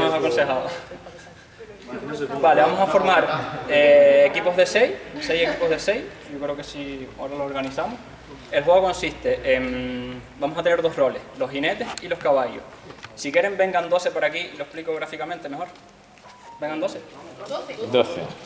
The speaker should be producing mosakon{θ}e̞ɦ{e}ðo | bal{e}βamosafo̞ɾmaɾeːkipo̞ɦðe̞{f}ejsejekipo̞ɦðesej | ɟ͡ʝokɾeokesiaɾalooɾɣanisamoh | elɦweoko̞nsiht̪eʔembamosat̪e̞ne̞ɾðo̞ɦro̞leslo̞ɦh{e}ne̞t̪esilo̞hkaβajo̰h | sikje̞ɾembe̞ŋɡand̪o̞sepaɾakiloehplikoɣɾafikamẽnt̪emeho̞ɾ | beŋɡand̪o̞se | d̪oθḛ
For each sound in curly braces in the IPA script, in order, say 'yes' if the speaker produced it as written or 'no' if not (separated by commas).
no, no, yes, no, no